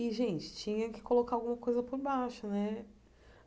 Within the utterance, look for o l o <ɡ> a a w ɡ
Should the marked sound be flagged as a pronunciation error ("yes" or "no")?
yes